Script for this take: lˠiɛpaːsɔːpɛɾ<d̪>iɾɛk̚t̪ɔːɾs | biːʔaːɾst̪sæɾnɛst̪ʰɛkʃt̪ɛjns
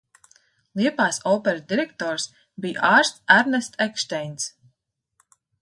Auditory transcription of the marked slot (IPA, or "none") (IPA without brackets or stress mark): d̪